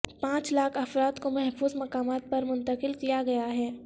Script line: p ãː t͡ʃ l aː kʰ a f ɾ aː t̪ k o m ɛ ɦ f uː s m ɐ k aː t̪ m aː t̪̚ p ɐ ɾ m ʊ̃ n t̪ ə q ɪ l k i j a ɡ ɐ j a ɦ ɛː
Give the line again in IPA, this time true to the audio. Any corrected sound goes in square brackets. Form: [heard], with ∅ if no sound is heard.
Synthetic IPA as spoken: p ãː t͡ʃ l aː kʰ [ɐ] f ɾ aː t̪ k o m ɛ ɦ f uː [z] m ɐ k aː [∅] m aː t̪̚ p ɐ ɾ m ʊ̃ n t̪ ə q ɪ l k i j a ɡ ɐ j a ɦ ɛː